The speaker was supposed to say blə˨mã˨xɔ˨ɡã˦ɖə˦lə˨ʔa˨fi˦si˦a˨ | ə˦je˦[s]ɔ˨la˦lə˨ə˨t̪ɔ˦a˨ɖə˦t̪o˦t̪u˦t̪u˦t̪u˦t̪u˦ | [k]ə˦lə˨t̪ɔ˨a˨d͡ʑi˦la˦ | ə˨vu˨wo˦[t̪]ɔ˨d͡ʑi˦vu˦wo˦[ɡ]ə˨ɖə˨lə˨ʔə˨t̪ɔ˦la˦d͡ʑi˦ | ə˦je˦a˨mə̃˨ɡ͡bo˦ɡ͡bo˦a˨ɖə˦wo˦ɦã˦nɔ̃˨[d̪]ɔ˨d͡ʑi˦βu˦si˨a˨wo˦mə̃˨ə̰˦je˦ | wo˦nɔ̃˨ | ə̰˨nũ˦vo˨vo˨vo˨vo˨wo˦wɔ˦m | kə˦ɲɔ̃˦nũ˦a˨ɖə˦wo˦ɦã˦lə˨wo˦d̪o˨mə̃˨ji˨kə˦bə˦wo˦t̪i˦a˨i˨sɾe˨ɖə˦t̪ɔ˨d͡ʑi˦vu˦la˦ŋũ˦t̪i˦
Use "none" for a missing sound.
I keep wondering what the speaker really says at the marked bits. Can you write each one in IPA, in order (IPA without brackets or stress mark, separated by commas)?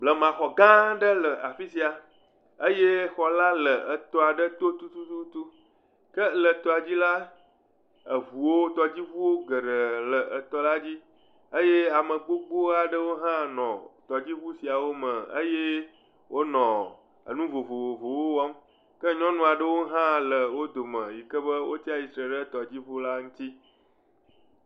x, k, t̪, ɡ, t̪